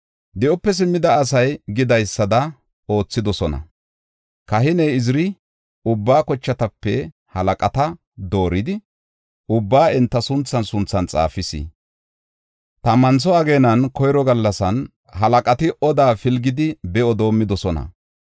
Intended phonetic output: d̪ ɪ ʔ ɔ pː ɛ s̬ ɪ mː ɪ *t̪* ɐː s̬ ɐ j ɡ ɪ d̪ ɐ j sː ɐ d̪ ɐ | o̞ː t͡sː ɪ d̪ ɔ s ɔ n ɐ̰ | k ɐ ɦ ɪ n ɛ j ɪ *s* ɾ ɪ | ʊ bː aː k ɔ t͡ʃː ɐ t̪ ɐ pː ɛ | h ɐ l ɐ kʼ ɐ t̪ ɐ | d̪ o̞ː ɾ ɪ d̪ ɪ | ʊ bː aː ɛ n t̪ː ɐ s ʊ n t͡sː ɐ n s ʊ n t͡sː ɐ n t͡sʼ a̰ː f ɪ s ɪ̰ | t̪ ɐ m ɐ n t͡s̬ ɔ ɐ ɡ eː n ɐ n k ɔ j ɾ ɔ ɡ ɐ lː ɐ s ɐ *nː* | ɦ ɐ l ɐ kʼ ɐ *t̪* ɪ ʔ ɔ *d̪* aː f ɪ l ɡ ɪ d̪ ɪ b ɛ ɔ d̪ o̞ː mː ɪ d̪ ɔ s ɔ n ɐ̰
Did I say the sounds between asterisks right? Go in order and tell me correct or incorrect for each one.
incorrect, incorrect, incorrect, correct, correct

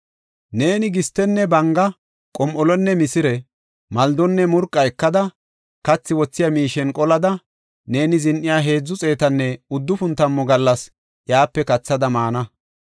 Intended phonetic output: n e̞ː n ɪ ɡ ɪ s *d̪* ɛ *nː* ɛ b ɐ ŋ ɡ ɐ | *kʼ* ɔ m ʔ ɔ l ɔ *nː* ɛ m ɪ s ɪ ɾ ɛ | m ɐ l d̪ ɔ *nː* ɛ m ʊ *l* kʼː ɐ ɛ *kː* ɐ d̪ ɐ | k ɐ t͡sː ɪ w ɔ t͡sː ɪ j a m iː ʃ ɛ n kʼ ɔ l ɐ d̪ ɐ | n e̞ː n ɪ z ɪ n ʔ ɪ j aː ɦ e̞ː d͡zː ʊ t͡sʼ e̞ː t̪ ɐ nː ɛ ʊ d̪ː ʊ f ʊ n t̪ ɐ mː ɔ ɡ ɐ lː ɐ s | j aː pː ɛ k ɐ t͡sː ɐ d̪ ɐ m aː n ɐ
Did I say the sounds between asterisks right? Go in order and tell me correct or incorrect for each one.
incorrect, correct, correct, correct, correct, incorrect, correct

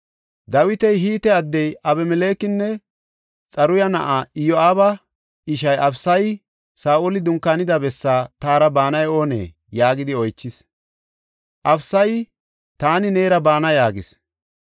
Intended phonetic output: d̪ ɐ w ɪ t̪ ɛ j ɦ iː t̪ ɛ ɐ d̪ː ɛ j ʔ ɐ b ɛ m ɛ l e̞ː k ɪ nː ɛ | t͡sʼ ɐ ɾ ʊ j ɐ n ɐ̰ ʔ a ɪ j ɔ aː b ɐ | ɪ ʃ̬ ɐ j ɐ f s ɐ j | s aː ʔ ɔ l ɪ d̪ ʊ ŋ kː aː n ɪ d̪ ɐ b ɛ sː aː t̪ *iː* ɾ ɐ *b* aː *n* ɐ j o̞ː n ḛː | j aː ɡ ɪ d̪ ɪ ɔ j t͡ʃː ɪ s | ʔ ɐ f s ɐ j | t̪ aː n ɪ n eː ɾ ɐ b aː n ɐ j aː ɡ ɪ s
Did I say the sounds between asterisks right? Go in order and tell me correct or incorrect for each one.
incorrect, correct, correct

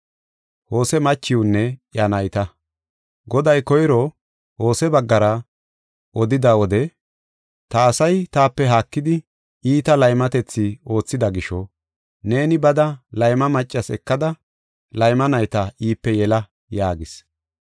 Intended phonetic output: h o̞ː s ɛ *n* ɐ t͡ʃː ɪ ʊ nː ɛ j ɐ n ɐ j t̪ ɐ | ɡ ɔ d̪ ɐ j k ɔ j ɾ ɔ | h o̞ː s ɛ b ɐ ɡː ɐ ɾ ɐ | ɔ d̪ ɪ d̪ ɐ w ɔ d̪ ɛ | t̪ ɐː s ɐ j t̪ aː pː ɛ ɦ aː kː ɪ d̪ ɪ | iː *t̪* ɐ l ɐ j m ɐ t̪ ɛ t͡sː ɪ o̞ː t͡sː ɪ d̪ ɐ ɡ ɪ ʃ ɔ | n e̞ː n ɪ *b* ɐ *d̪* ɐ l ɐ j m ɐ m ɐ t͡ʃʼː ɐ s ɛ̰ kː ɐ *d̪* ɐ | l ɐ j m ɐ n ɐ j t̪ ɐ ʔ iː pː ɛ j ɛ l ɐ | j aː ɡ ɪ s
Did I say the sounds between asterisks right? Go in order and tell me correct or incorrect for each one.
incorrect, correct, correct, correct, correct

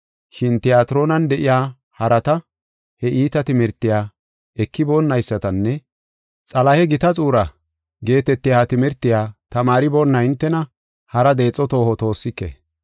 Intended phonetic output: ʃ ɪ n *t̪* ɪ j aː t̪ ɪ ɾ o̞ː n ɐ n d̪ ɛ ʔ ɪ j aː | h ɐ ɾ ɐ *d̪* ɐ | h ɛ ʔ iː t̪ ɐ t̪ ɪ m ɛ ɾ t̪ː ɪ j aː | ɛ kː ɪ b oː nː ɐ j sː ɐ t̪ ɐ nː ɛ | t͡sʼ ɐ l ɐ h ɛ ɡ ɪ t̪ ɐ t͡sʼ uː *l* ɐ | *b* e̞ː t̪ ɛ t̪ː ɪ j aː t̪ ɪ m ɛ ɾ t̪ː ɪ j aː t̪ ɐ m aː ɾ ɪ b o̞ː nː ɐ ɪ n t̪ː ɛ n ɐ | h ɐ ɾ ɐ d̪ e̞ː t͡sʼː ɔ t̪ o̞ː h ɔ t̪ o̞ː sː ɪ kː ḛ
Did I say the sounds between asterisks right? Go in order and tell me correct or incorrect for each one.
correct, incorrect, incorrect, incorrect

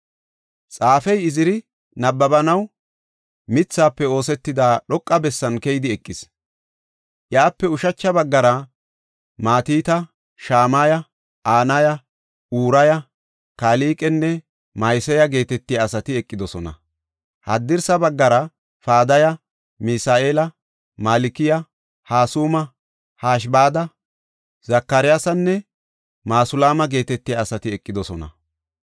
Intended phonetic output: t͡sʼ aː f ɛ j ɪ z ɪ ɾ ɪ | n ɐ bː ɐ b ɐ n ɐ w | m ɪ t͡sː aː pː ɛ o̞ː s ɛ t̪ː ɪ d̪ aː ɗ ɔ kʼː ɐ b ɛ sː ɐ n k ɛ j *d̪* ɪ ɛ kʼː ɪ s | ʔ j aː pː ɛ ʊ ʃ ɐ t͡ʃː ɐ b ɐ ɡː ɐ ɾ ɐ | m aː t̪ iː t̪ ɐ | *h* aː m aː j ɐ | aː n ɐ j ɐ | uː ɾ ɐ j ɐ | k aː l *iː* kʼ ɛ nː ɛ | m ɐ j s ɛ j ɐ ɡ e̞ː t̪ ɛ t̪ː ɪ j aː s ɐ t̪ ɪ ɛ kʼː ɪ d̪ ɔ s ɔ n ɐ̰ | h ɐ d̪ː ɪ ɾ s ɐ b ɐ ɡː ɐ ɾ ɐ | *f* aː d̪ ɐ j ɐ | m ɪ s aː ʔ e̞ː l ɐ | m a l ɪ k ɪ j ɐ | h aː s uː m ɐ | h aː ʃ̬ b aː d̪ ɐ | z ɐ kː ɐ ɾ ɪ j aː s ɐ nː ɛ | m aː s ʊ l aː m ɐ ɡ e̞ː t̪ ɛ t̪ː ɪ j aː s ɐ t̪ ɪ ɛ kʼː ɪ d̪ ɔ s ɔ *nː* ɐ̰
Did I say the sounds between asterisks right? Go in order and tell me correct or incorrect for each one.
correct, incorrect, correct, correct, incorrect

